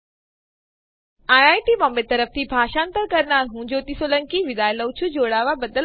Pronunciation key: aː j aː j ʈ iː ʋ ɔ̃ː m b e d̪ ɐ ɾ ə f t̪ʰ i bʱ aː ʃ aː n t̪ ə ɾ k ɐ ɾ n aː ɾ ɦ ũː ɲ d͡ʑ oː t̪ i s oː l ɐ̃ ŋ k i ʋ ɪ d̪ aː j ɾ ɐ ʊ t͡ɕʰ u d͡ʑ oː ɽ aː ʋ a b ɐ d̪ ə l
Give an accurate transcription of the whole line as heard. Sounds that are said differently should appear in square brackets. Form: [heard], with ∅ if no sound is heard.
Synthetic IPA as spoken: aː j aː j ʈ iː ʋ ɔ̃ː m b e [t̪] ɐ ɾ ə f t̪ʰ i bʱ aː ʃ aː n t̪ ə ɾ k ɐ ɾ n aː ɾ ɦ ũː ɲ d͡ʑ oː t̪ i s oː l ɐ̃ ŋ k i ʋ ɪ d̪ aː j [l] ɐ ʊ t͡ɕʰ u d͡ʑ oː ɽ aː ʋ a b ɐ d̪ ə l